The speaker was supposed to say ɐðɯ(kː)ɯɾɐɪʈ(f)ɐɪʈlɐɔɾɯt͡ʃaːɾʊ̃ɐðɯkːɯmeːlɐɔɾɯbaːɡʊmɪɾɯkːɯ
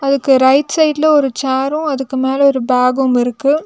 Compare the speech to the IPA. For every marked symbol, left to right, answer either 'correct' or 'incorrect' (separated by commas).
correct, incorrect